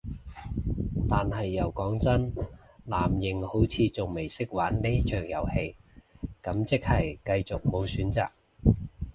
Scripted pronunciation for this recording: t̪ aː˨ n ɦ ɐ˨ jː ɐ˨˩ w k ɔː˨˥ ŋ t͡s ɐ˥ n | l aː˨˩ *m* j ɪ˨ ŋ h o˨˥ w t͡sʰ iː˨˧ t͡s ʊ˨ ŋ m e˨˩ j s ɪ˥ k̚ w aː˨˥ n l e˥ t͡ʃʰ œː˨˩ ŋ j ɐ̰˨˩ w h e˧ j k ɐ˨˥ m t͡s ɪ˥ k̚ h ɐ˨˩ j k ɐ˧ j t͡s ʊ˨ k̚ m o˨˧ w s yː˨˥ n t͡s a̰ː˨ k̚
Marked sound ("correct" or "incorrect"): correct